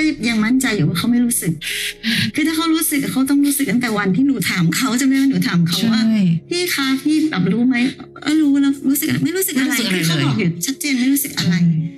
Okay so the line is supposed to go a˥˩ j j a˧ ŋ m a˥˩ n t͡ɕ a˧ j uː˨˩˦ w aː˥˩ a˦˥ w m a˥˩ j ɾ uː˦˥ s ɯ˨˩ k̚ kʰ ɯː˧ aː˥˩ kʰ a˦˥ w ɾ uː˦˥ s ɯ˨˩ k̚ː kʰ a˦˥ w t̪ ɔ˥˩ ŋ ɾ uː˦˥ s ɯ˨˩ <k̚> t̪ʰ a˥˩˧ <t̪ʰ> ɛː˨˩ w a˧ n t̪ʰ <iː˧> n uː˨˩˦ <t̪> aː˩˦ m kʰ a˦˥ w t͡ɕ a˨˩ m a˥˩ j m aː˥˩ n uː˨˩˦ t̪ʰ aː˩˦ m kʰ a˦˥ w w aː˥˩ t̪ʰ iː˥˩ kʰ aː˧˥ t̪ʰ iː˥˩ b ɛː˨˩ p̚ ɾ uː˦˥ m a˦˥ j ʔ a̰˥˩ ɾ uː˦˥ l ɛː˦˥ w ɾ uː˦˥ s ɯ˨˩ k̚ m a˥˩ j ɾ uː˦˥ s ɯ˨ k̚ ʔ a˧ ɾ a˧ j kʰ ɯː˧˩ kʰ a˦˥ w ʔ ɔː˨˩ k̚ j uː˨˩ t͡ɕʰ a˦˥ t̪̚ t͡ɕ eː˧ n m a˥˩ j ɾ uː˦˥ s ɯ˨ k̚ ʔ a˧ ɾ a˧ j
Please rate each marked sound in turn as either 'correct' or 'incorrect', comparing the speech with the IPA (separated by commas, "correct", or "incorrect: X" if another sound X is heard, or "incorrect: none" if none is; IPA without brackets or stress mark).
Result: correct, incorrect: t̪, incorrect: iː˥˩, incorrect: t̪ʰ